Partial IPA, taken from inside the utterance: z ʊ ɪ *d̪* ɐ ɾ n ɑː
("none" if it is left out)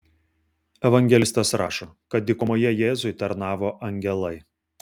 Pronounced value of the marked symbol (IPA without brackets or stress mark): t̪